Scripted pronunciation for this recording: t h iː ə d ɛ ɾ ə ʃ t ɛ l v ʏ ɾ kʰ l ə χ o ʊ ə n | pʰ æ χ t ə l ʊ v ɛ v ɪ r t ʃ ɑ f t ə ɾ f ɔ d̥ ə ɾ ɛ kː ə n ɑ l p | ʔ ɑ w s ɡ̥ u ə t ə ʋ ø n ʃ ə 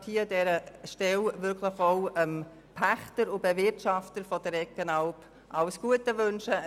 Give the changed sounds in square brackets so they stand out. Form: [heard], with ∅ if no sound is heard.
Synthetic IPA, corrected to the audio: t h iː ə d ɛ ɾ ə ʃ t ɛ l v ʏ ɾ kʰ l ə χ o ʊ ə [m] | pʰ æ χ t ə [ɾ] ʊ [b] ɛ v ɪ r t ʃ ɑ f t ə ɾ f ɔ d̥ ə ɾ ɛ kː ə n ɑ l p | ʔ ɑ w s ɡ̥ u ə t ə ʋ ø n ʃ ə